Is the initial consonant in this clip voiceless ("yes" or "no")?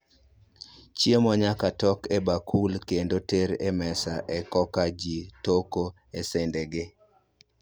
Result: yes